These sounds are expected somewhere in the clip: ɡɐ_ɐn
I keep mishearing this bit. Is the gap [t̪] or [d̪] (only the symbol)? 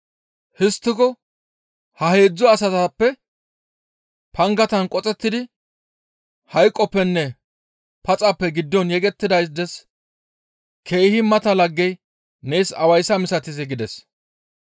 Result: t̪